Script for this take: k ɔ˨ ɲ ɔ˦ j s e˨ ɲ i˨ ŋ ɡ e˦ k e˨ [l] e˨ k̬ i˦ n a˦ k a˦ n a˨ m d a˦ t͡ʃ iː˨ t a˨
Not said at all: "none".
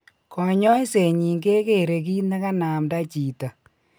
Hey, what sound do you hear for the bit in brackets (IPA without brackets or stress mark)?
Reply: ɾ